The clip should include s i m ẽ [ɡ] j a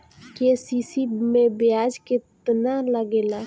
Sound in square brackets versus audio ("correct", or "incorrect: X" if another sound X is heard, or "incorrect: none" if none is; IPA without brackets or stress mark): incorrect: b